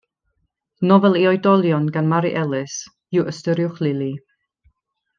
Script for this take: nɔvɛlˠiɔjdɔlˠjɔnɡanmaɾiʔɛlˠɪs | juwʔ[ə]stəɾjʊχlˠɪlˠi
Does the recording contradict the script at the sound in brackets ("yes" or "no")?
no